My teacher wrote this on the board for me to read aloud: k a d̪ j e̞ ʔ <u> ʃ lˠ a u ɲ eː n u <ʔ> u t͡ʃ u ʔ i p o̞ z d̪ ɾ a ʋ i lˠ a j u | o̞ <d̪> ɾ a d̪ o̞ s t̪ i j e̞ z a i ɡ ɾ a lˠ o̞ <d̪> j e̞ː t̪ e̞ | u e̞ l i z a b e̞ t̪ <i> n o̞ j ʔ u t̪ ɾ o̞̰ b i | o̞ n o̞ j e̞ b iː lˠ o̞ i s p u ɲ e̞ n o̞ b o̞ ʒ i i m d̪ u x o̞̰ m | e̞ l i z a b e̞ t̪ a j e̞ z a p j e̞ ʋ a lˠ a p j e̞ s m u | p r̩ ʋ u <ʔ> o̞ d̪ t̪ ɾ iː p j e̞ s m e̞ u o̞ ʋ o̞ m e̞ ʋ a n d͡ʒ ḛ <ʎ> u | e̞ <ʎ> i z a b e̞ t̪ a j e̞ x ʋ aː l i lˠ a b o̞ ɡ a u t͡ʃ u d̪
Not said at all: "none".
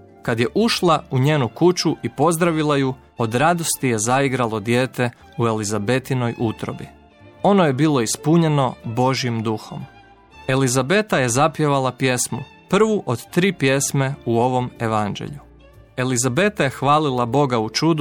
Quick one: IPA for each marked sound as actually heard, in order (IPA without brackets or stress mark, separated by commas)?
u, k, d̪, d̪, i, ʔ, ʎ, l